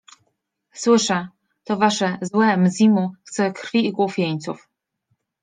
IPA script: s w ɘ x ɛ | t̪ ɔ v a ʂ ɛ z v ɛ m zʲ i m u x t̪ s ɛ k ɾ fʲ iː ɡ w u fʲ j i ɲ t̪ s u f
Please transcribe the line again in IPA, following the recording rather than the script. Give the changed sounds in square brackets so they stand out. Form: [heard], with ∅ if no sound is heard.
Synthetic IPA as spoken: s w ɘ [ʂ] ɛ | t̪ ɔ v a ʂ ɛ z [w] ɛ m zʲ i m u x t̪ s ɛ k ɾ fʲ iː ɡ w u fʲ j [e] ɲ t̪ s u f